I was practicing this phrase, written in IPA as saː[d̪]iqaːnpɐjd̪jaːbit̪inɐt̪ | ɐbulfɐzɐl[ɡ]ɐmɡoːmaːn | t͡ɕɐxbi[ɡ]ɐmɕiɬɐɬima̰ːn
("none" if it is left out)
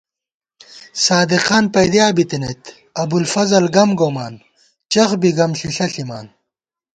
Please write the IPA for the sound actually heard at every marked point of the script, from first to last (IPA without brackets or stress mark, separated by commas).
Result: d̪, ɡ, ɡ